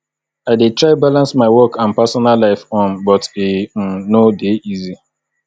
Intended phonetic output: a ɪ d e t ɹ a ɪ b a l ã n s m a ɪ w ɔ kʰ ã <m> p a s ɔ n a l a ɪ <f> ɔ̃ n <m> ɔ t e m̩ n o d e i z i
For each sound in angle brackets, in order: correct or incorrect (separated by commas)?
incorrect, correct, incorrect